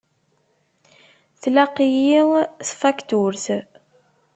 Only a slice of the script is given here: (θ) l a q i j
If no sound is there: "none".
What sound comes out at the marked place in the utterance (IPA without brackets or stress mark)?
θ